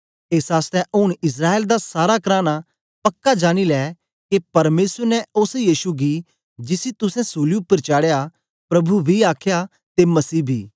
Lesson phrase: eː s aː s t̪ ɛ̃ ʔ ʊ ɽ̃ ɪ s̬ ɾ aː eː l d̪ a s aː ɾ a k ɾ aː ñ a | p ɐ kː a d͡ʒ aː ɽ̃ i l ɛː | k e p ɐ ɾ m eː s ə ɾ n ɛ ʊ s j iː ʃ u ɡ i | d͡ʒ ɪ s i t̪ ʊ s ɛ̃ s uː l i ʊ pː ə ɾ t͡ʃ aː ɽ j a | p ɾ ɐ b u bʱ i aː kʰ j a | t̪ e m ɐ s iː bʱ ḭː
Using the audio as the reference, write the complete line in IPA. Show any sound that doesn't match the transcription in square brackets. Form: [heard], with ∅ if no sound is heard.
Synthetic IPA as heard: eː s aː s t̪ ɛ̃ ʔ ʊ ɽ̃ ɪ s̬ ɾ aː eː l d̪ a s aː ɾ a k ɾ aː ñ a | p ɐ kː a d͡ʒ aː ɽ̃ i l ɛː | k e p ɐ ɾ m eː s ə ɾ n ɛ ʊ s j iː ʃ u ɡ i | d͡ʒ ɪ s i t̪ ʊ s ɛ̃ s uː l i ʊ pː ə ɾ t͡ʃ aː ɽ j a | p ɾ ɐ b u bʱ i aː kʰ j a | t̪ e m ɐ s iː bʱ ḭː

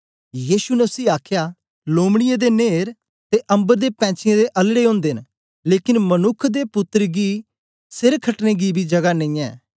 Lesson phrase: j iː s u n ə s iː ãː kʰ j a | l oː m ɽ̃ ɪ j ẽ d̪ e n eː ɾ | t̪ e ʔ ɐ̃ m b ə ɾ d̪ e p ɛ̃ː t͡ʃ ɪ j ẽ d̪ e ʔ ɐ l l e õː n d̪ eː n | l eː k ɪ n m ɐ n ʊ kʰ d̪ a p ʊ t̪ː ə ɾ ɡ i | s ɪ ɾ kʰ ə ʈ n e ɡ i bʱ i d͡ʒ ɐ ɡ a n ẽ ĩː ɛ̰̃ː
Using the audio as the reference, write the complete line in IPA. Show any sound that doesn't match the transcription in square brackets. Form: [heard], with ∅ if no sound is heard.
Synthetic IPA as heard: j iː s u n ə s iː [aː] kʰ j a | l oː m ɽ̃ ɪ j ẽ d̪ e n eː ɾ | t̪ e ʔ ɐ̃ m b ə ɾ d̪ e p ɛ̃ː t͡ʃ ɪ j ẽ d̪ e ʔ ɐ l [ɽ] e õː n d̪ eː n | l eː k ɪ n m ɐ n ʊ kʰ d̪ [e] p ʊ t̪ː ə ɾ ɡ i | s ɪ ɾ kʰ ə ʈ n e ɡ i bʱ i d͡ʒ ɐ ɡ a n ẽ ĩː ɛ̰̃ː

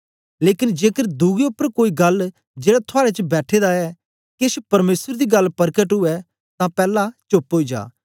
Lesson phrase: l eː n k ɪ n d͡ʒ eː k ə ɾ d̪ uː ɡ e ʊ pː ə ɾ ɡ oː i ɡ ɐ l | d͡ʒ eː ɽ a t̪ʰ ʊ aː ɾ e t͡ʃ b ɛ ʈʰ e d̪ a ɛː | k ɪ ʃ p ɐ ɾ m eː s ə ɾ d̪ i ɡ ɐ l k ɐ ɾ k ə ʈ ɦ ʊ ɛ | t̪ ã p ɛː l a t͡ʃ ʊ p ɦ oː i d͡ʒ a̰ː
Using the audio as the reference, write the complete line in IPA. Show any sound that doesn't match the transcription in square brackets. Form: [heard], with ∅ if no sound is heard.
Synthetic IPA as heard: l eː [∅] k ɪ n d͡ʒ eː k ə ɾ d̪ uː ɡ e ʊ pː ə ɾ [k] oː i ɡ ɐ l | d͡ʒ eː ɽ a t̪ʰ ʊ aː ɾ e t͡ʃ b [ɛː] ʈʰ e d̪ a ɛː | k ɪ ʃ p ɐ ɾ m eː s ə ɾ d̪ i ɡ ɐ l [p] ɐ ɾ k ə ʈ ɦ ʊ ɛ | t̪ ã p ɛː l a t͡ʃ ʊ p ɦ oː i d͡ʒ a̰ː

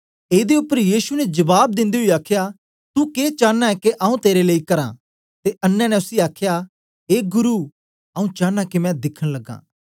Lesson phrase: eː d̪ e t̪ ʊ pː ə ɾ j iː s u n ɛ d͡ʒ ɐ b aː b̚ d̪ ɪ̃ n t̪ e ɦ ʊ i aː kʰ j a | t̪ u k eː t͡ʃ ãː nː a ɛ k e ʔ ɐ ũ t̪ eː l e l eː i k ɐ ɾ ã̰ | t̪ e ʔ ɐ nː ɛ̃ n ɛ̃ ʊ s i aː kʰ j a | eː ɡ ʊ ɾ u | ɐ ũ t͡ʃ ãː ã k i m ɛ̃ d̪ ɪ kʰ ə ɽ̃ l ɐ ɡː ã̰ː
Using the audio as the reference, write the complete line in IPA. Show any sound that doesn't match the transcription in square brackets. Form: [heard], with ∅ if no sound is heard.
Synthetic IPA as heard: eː d̪ e [∅] ʊ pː ə ɾ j iː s u n ɛ d͡ʒ ɐ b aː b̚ d̪ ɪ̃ n [d̪] e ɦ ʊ i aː kʰ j a | t̪ u k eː t͡ʃ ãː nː a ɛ k e ʔ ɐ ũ t̪ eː [ɾ] e l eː i k ɐ ɾ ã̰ | t̪ e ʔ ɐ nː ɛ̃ n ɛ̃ ʊ s i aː kʰ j a | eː ɡ ʊ ɾ u | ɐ ũ t͡ʃ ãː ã k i m ɛ̃ d̪ ɪ kʰ ə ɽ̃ l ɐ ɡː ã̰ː

